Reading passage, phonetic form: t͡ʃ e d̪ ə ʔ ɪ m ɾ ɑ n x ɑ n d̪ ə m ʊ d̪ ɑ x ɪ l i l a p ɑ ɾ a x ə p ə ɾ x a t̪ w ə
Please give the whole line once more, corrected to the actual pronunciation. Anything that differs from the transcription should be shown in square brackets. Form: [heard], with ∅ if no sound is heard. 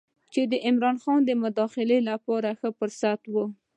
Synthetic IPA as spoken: t͡ʃ e d̪ ə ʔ ɪ m ɾ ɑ n x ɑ n d̪ ə m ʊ d̪ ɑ x ɪ l [e] l a p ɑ ɾ a x ə p ə ɾ [s] a t̪ w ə